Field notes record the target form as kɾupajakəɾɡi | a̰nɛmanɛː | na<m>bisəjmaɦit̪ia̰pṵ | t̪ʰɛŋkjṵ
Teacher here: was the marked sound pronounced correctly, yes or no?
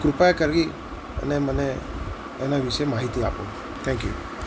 no